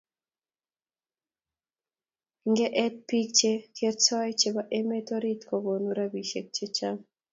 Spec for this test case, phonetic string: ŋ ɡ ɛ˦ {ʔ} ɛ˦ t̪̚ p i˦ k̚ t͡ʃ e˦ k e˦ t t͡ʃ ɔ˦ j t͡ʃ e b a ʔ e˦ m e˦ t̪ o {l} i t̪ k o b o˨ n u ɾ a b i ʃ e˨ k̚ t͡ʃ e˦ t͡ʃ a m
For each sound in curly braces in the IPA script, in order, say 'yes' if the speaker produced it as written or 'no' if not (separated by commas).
yes, no